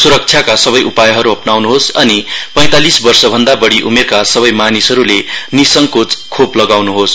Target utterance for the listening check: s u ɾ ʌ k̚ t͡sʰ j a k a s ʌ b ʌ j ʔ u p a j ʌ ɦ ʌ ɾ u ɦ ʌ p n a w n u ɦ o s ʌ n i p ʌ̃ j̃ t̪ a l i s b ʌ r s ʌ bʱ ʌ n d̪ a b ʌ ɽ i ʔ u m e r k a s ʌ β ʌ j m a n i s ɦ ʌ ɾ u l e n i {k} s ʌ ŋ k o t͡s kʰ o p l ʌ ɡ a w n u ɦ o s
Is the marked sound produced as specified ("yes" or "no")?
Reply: no